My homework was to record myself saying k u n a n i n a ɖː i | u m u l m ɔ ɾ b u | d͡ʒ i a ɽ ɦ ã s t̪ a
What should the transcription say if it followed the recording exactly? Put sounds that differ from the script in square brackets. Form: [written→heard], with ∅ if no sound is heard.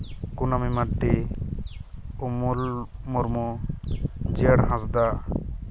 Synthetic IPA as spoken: k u n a [n→m] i [n→m] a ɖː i | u m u l m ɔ ɾ [b→m] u | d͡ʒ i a ɽ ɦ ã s [t̪→d̪] a